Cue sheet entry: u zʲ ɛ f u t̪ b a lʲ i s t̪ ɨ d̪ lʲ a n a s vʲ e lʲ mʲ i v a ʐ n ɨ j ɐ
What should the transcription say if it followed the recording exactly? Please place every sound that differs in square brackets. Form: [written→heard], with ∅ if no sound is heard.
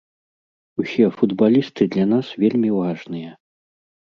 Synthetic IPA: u [zʲ→sʲ] ɛ f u [t̪→d̪] b a lʲ i s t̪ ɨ d̪ lʲ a n a s vʲ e lʲ mʲ i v a ʐ n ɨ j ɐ